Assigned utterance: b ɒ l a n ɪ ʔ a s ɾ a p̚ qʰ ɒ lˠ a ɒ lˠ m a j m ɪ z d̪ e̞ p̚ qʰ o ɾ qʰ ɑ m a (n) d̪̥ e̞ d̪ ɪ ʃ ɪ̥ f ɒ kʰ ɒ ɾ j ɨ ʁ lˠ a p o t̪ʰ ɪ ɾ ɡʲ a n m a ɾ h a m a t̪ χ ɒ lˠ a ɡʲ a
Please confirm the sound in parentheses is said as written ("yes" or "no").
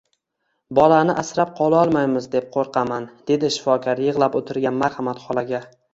yes